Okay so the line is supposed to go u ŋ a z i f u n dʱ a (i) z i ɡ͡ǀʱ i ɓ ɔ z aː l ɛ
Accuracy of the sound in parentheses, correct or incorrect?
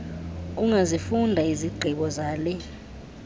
correct